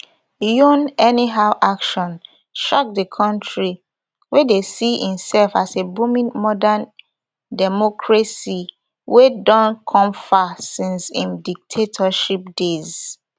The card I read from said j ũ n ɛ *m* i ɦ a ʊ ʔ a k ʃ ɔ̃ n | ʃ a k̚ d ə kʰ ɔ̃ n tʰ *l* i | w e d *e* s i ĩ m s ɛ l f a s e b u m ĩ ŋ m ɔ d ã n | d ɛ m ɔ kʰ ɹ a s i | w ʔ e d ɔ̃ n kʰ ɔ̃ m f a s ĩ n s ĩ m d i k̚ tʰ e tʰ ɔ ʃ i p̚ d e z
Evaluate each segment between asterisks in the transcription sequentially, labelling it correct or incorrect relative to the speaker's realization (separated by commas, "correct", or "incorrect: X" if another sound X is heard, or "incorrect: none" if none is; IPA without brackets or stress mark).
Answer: incorrect: n, incorrect: ɹ, correct